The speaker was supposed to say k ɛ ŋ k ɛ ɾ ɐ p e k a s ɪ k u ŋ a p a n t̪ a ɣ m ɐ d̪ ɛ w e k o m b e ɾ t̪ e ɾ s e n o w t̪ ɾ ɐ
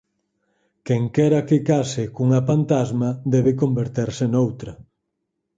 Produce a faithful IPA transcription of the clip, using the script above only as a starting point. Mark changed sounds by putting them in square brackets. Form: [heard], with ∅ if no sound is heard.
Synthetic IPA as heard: k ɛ ŋ k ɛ ɾ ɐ [k] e k a s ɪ k u ŋ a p a n t̪ a [z] m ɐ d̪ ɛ [β] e k o m b e ɾ t̪ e ɾ s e n o w t̪ ɾ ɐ

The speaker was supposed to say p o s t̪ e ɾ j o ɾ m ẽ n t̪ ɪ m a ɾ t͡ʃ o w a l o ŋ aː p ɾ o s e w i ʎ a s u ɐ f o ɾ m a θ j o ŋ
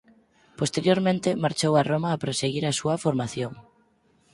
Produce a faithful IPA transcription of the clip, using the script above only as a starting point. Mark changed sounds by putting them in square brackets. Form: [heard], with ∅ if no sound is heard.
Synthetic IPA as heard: p o s t̪ e ɾ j o ɾ m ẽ n t̪ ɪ m a ɾ t͡ʃ o w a [r] o [m] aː p ɾ o s e [ɣ] i [ɾ] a s u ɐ f o ɾ m a θ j o ŋ

